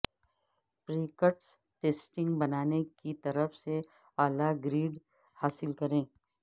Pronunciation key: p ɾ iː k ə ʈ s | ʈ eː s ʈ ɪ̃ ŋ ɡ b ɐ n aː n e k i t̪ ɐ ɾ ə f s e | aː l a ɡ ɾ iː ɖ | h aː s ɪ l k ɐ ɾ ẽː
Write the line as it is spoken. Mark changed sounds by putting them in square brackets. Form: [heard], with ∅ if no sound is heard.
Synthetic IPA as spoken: p ɾ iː k ə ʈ s | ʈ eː s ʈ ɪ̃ ŋ ɡ b ɐ n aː n e k i t̪ ɐ ɾ ə f s e | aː l a ɡ ɾ iː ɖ | h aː s ɪ l k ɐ ɾ ẽː